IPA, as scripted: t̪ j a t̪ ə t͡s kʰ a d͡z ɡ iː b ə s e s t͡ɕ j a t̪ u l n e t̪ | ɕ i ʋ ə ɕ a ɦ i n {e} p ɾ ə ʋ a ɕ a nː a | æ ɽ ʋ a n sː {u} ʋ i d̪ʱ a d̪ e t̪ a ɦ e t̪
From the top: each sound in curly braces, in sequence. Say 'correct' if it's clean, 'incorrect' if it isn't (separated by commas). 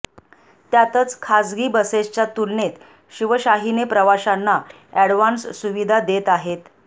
correct, correct